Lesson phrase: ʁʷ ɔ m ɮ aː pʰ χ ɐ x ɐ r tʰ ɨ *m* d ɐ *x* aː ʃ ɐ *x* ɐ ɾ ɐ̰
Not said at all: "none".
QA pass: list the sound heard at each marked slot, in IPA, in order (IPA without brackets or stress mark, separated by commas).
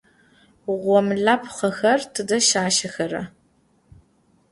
none, ʃ, x